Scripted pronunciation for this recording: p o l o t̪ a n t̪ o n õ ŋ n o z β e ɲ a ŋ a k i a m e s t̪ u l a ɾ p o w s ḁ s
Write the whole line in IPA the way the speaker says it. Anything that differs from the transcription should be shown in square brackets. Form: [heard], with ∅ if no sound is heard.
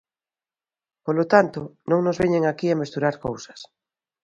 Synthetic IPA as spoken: p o l o t̪ a n t̪ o n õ ŋ n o z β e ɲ [e] ŋ a k i a m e s t̪ u [ɾ] a ɾ [k] o w s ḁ s